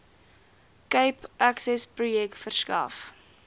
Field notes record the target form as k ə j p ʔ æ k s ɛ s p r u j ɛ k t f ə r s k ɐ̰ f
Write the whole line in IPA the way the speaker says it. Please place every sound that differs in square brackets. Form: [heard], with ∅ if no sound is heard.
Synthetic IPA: k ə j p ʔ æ k s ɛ s p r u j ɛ k t f ə r s k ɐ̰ f